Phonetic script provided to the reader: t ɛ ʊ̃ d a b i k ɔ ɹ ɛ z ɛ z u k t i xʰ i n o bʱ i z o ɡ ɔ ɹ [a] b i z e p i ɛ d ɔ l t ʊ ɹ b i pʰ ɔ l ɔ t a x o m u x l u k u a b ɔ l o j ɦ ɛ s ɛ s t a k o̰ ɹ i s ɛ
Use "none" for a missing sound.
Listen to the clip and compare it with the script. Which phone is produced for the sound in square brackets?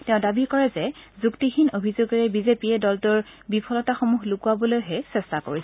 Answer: ɛ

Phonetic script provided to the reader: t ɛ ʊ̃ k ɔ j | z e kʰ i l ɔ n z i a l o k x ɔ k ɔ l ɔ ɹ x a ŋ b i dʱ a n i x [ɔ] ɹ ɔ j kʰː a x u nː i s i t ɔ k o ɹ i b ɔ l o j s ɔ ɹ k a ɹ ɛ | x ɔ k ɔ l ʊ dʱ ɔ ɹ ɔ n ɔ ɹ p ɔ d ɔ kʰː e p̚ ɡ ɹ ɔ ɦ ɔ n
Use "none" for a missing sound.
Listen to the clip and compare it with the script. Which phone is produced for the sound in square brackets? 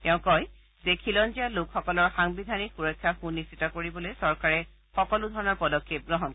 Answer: u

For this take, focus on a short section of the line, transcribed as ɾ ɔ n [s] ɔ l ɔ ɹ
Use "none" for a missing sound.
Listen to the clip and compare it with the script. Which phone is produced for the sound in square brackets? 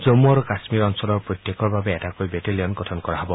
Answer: s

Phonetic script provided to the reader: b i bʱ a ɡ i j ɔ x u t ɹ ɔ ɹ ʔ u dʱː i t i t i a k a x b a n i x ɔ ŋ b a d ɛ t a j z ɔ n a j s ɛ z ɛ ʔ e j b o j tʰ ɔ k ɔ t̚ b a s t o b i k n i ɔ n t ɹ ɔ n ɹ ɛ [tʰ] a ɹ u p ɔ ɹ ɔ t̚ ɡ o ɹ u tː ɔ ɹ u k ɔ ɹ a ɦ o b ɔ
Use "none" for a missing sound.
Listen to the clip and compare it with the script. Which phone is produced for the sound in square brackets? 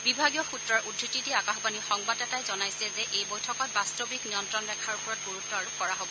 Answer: kʰ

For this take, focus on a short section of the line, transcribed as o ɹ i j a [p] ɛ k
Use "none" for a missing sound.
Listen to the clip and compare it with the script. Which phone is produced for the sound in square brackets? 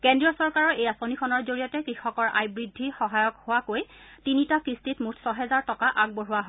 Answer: t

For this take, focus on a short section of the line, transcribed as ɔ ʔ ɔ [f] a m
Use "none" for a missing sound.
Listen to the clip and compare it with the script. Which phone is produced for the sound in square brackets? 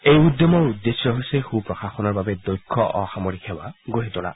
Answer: x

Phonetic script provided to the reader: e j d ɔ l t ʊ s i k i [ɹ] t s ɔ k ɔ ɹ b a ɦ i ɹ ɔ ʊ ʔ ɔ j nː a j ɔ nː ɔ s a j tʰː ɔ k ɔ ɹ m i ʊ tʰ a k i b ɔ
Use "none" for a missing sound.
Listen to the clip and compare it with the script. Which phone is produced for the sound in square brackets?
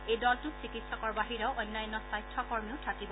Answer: none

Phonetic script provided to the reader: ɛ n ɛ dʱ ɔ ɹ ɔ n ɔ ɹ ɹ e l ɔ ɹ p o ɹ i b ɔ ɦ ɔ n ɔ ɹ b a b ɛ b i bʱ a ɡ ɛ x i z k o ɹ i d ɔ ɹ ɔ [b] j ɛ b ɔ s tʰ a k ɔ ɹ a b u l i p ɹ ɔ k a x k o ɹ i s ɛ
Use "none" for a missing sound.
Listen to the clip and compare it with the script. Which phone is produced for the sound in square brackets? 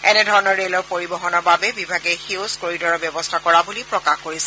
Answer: b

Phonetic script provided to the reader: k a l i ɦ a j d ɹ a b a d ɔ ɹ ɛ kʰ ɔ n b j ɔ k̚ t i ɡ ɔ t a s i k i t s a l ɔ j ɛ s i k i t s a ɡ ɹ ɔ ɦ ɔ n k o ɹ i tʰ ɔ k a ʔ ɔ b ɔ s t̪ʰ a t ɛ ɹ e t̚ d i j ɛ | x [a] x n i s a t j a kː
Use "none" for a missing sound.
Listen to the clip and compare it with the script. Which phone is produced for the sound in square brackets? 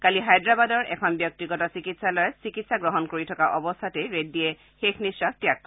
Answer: e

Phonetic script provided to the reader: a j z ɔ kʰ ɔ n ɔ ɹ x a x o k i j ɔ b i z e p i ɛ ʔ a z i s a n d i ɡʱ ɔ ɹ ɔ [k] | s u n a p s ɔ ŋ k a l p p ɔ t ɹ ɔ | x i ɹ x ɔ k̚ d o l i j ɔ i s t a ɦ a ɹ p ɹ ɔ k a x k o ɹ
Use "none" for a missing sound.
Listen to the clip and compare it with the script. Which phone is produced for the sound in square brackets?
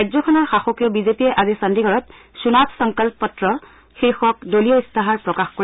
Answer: t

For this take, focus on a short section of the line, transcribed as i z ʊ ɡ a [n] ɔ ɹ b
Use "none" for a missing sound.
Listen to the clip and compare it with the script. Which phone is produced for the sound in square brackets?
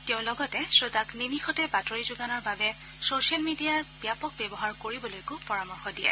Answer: n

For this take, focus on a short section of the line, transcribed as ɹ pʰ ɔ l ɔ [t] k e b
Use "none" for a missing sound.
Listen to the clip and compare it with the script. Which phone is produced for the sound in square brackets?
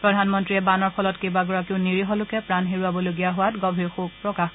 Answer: t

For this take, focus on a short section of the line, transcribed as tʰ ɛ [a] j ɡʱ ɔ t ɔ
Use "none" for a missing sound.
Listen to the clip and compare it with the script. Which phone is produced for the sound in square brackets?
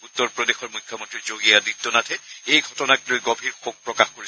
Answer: e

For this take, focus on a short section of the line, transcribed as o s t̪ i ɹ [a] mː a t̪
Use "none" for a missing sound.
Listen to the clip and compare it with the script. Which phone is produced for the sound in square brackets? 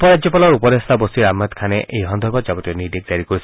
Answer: a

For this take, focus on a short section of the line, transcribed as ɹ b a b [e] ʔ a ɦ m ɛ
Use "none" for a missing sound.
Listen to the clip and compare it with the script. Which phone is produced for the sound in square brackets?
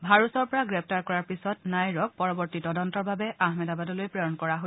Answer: ɛ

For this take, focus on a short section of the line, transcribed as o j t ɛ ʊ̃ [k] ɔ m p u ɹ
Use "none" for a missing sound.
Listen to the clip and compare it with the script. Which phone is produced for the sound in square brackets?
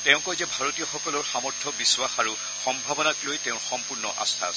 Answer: x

